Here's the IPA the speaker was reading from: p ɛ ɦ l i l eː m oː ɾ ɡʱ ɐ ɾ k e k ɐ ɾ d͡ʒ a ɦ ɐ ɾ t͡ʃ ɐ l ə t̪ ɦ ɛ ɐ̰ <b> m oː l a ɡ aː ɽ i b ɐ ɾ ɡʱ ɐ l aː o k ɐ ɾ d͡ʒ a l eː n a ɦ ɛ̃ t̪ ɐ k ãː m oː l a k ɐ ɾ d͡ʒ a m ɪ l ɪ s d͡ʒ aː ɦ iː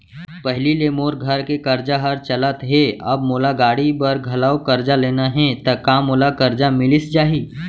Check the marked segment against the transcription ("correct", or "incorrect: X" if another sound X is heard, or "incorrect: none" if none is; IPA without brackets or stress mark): correct